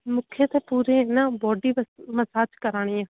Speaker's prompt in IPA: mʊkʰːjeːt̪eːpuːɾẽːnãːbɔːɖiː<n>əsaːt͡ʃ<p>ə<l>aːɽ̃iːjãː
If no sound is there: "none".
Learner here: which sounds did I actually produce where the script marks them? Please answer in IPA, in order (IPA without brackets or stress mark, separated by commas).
m, k, ɾ